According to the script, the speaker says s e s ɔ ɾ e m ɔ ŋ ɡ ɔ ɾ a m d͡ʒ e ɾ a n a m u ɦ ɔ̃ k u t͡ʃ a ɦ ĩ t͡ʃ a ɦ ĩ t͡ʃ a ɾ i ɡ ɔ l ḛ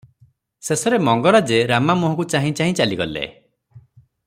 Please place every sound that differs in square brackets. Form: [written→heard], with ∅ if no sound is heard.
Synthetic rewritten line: s e s ɔ ɾ e m ɔ ŋ ɡ ɔ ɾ a [m→∅] d͡ʒ e ɾ a [n→m] a m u ɦ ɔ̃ k u t͡ʃ a ɦ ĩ t͡ʃ a ɦ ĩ t͡ʃ a [ɾ→l] i ɡ ɔ l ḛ